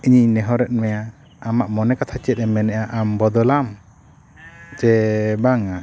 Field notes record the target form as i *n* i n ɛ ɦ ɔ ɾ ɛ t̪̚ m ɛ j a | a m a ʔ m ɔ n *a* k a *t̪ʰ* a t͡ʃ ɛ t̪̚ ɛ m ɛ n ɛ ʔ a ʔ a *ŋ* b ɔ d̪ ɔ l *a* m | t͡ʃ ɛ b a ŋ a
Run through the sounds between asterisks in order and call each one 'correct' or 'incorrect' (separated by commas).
incorrect, incorrect, correct, incorrect, correct